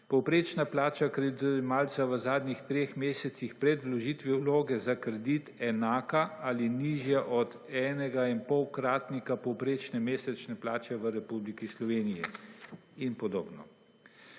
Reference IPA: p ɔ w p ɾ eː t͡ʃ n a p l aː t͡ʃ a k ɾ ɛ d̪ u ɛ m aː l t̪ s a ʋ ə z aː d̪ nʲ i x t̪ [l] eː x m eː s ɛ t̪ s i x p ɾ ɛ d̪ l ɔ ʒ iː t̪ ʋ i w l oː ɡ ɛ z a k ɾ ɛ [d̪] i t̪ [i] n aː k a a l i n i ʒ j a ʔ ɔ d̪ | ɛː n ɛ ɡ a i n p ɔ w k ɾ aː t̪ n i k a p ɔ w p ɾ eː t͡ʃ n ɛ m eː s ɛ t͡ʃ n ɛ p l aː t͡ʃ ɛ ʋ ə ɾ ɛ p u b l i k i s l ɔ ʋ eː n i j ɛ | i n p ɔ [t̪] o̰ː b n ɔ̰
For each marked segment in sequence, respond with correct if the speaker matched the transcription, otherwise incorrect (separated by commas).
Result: incorrect, correct, incorrect, incorrect